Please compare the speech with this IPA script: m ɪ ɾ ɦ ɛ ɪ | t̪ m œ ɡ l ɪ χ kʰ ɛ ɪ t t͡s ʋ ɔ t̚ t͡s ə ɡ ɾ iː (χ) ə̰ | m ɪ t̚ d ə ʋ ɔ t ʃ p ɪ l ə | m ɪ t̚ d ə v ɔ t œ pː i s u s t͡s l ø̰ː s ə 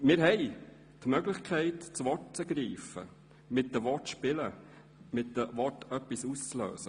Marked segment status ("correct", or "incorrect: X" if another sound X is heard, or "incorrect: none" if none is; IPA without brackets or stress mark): incorrect: f